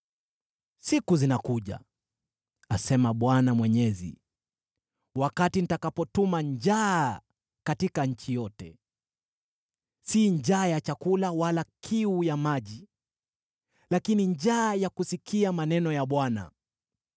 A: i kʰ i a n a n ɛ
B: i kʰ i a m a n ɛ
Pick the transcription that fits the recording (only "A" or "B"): B